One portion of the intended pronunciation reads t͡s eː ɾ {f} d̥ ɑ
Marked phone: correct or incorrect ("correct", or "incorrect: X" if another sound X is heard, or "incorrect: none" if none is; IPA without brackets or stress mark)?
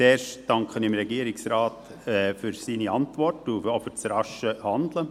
incorrect: ʃ